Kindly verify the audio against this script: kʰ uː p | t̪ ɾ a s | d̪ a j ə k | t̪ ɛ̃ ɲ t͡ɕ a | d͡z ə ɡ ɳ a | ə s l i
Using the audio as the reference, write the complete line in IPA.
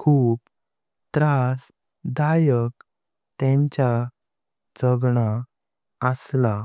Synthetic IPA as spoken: kʰ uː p | t̪ ɾ a s | d̪ a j ə k | t̪ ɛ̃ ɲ t͡ɕ a | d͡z ə ɡ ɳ a | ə s l a